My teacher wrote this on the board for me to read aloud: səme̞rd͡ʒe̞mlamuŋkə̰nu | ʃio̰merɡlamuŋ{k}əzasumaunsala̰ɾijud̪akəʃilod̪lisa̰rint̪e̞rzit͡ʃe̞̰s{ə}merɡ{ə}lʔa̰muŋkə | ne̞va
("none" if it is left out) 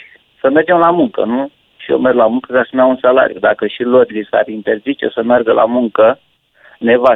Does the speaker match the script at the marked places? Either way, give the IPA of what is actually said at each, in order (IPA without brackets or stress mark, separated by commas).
k, ə, ə